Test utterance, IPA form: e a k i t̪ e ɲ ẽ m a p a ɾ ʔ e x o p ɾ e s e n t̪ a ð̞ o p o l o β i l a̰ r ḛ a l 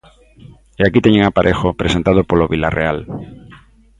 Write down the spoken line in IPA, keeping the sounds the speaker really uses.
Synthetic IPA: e a k i t̪ e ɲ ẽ ŋ a p a ɾ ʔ e x o p ɾ e s e n t̪ a ð̞ o p o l o β i l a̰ r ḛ a l